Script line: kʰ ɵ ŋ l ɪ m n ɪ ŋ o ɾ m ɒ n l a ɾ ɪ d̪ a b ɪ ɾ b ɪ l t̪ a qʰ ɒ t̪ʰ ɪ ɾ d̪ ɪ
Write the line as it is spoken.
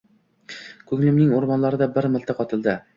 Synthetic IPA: kʰ ɵ ŋ l ɪ m n ɪ ŋ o ɾ m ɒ n l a ɾ ɪ d̪ a b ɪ ɾ m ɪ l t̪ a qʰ ɒ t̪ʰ ɪ l d̪ ɪ

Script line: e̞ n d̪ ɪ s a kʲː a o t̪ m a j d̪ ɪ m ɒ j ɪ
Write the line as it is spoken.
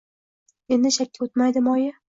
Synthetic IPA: e̞ n d̪ ɪ ʃ a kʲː a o t̪ m a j d̪ ɪ m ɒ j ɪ

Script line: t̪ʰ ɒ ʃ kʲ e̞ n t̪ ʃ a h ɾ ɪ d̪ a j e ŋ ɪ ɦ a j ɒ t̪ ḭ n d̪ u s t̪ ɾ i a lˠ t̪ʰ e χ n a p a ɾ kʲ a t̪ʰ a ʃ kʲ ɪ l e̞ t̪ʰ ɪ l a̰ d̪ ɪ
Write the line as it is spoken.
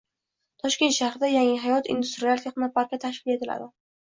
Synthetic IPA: t̪ʰ ɒ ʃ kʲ e̞ n t̪ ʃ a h ɾ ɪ d̪ a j a ŋ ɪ ɦ a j ɒ t̪ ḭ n d̪ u s t̪ ɾ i a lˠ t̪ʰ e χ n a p a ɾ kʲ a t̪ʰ a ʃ kʲ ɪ l e̞ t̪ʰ ɪ l a̰ d̪ ɪ

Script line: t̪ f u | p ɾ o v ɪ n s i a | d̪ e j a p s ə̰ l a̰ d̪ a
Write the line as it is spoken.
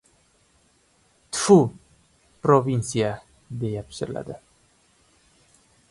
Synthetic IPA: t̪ f u | p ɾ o v i n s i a | d̪ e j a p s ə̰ l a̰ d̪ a

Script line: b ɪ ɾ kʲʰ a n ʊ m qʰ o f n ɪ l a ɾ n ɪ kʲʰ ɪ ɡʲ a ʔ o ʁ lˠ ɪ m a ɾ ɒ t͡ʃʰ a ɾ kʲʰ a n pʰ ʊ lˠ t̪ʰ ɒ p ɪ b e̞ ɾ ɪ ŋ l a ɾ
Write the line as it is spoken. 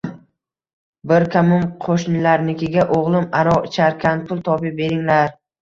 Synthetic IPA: b ɪ ɾ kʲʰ a m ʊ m qʰ o ʃ n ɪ l a ɾ n ɪ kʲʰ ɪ ɡʲ a ʔ o ʁ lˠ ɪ m a ɾ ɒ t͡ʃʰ a ɾ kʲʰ a n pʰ ʊ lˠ t̪ʰ ɒ p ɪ b e̞ ɾ ɪ ŋ l a ɾ

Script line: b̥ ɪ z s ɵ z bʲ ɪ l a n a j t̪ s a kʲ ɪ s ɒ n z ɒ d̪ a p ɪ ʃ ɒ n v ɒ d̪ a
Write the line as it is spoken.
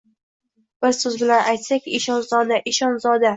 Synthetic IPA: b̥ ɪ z s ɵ z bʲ ɪ l a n a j t̪ s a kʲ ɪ ʃ ɒ n z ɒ d̪ a ʔ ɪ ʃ ɒ n z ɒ d̪ a

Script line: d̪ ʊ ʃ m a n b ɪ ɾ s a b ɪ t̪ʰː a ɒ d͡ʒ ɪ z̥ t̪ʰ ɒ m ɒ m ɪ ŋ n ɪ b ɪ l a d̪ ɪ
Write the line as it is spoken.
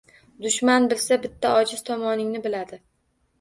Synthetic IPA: d̪ ʊ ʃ m a n b ɪ l s a b ɪ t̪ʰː a ɒ d͡ʒ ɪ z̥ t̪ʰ ɒ m ɒ n ɪ ŋ n ɪ b ɪ l a d̪ ɪ

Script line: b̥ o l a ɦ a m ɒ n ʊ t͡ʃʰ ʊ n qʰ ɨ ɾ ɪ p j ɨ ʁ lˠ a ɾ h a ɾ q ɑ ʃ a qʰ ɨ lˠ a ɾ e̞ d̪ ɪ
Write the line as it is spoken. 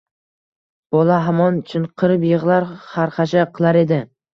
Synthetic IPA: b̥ ɒ l a ɦ a m ɒ n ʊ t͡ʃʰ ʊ n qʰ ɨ ɾ ɪ p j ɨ ʁ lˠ a ɾ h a ɾ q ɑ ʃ a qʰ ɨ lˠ a ɾ e̞ d̪ ɪ

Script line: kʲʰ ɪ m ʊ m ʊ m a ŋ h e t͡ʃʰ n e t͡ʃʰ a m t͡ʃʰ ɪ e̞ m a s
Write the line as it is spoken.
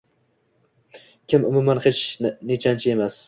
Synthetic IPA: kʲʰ ɪ m ʊ m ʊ m a n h e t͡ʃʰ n e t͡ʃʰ a n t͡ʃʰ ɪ e̞ m a s

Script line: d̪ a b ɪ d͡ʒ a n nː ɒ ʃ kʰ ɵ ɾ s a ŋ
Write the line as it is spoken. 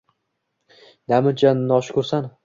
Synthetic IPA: d̪ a m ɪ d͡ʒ a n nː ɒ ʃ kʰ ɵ ɾ s a n

